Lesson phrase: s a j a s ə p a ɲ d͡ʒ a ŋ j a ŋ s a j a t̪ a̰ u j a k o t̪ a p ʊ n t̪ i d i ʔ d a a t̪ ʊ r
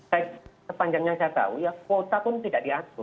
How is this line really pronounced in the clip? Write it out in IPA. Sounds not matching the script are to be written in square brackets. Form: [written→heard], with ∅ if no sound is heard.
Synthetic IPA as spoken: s a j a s ə p a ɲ d͡ʒ a ŋ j a ŋ s a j a t̪ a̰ u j a k o t̪ a p ʊ n t̪ i d [i→a] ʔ d [a→i] a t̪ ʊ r